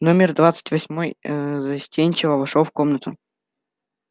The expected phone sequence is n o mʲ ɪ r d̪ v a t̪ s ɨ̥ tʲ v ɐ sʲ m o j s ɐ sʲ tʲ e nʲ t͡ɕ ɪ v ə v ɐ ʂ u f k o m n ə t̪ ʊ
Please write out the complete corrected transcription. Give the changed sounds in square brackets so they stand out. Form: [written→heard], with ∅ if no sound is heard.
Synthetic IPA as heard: n o mʲ ɪ r d̪ v a t̪ s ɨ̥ tʲ v ɐ sʲ m o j [s→z] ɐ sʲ tʲ e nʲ t͡ɕ ɪ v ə v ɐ ʂ [u→o] f k o m n ə t̪ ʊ